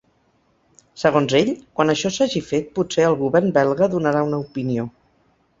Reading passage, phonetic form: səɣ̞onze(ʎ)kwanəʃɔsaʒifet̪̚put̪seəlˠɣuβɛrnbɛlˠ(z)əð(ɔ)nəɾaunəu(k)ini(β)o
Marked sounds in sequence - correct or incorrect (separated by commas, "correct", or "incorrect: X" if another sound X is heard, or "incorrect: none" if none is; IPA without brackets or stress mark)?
correct, incorrect: ɣ, incorrect: u, incorrect: p, incorrect: none